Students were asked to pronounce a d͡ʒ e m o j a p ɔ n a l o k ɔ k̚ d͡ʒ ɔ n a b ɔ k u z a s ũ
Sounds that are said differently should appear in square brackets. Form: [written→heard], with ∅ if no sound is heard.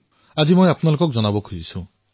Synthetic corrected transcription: a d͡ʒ [e→i] m o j a p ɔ n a l o k ɔ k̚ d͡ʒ ɔ n a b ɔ [k→kʰ] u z [a→i] s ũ